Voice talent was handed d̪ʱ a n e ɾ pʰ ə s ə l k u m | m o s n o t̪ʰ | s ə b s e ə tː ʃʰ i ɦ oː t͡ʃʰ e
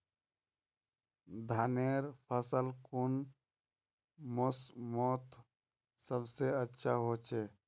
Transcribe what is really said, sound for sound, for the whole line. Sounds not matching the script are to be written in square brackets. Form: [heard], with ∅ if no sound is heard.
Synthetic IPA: d̪ʱ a n e ɾ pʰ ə s ə l k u [n] | m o s [m] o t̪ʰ | s ə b s e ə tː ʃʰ [a] ɦ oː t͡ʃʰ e

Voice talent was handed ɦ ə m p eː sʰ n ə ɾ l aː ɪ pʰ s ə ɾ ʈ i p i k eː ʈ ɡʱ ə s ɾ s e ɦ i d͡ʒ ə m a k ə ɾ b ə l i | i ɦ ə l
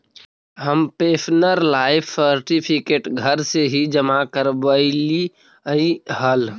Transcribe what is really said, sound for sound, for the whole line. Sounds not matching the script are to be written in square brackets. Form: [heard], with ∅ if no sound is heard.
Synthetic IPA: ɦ ə m p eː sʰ n ə ɾ l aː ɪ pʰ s ə ɾ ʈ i [pʰ] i k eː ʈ ɡʱ ə [∅] ɾ s e ɦ i d͡ʒ ə m a k ə ɾ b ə l i | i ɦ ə l

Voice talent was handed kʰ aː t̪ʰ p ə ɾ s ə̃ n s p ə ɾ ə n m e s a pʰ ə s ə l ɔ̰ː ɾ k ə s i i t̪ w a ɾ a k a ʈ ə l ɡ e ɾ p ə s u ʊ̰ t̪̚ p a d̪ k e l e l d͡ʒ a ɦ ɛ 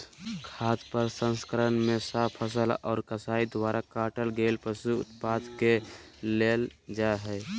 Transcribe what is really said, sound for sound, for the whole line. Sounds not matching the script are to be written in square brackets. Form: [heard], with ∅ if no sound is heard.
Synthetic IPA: kʰ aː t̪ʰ p ə ɾ s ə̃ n s [k] ə ɾ ə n m e s a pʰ ə s ə l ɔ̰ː ɾ k ə s [a] i [d̪] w a ɾ a k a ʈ ə l ɡ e [l] p ə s u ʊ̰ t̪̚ p a d̪ k e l e l d͡ʒ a ɦ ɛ

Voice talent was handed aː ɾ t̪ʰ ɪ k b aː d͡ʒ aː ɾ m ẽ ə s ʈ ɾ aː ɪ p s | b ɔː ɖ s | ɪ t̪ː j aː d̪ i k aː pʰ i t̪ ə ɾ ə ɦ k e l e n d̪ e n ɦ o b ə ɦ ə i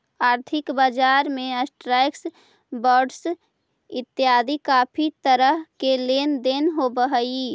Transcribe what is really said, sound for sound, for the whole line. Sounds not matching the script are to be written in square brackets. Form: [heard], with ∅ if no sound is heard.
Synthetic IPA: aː ɾ t̪ʰ ɪ k b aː d͡ʒ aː ɾ m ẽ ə s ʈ ɾ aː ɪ [k] s | b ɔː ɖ s | ɪ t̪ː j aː d̪ i k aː pʰ i t̪ ə ɾ ə ɦ k e l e n d̪ e n ɦ o b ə ɦ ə i

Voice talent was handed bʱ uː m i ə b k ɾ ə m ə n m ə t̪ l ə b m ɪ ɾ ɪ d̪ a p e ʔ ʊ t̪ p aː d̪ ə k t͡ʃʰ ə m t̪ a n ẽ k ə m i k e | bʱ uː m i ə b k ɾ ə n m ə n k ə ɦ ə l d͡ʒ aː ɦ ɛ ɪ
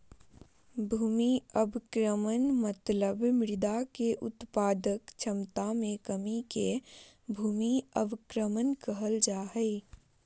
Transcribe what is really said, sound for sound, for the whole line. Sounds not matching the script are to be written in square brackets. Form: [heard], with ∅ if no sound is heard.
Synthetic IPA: bʱ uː m i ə b k ɾ ə m ə n m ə t̪ l ə b m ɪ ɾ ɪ d̪ a [k] e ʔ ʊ t̪ p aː d̪ ə k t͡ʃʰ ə m t̪ a [m] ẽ k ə m i k e | bʱ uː m i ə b k ɾ ə [∅] m ə n k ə ɦ ə l d͡ʒ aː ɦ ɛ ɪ

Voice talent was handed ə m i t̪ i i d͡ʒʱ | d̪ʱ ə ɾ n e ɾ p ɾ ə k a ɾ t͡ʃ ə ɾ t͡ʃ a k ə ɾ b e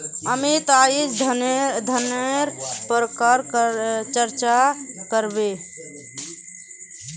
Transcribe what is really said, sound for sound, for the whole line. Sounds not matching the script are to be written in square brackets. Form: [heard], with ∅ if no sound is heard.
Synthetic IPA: ə m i t̪ [a] i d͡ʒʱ | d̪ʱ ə [∅] n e ɾ p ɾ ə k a ɾ t͡ʃ ə ɾ t͡ʃ a k ə ɾ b e

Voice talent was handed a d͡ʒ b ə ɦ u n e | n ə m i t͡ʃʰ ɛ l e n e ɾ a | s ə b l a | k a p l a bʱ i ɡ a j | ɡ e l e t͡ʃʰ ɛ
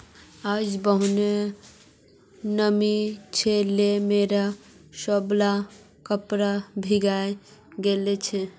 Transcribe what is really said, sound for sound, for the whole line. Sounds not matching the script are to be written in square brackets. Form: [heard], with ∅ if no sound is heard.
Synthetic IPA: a d͡ʒ b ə ɦ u n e | n ə m i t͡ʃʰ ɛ l e [m] e ɾ a | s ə b l a | k [ə] p [ɾ] a bʱ i ɡ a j | ɡ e l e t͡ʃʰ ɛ

